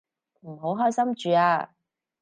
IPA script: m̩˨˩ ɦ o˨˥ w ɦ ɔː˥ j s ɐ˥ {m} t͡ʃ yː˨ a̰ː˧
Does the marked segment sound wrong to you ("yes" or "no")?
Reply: no